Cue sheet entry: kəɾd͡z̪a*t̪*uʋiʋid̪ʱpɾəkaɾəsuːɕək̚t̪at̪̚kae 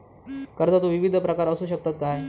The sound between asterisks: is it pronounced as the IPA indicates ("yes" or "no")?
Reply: yes